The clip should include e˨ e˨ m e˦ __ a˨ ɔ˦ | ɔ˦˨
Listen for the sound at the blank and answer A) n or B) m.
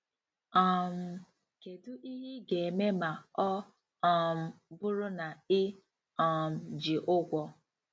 B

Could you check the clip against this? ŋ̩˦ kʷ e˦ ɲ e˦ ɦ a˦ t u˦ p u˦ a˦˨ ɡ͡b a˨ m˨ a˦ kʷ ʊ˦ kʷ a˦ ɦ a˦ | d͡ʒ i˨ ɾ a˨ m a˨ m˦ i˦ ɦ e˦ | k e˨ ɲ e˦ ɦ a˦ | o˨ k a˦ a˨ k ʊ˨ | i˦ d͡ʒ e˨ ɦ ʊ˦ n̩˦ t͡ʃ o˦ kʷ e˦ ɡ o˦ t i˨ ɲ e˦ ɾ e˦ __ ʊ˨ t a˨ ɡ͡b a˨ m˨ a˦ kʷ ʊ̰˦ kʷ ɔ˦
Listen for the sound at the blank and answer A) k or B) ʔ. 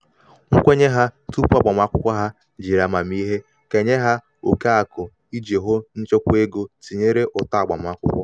B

